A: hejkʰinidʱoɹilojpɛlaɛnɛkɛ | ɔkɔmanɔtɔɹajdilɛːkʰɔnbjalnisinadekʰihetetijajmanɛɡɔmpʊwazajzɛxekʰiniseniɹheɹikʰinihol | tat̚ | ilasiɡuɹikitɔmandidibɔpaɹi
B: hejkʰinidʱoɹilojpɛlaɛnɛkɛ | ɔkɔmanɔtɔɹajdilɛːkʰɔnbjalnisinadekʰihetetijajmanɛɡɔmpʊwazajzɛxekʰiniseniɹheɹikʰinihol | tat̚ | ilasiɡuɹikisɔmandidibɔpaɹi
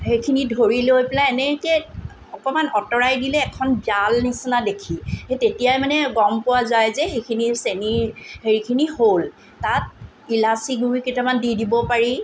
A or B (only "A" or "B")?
A